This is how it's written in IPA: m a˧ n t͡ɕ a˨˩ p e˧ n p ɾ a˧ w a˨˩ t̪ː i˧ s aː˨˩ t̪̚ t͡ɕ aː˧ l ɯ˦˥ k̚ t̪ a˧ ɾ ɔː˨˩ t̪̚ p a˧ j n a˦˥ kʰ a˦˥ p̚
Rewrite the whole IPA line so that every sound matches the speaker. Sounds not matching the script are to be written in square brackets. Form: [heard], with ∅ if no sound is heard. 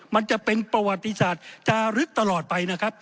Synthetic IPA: m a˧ n t͡ɕ a˨˩ p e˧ n p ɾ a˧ w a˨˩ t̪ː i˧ s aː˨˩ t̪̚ t͡ɕ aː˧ [ɾ] ɯ˦˥ k̚ t̪ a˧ [l] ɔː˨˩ t̪̚ p a˧ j n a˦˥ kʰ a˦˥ p̚